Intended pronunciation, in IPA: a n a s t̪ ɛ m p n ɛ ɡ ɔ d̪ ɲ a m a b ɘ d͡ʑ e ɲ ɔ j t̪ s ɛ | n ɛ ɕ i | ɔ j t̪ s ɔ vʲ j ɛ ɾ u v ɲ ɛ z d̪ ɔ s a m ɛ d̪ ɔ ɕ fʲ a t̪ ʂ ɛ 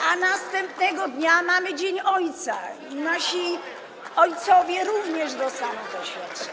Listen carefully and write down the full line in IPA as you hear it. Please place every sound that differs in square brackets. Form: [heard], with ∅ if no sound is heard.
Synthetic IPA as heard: a n a s t̪ ɛ m p n ɛ ɡ ɔ d̪ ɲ a m a [m] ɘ d͡ʑ e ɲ ɔ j t̪ s [a] | n [a] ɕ i | ɔ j t̪ s ɔ vʲ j ɛ ɾ u v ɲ ɛ [ʐ] d̪ ɔ s a m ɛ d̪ ɔ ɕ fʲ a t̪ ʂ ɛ